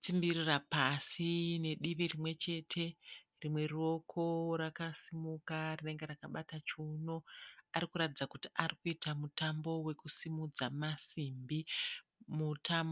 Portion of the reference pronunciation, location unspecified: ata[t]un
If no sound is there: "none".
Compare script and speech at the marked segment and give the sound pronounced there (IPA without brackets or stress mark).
t͡ʃ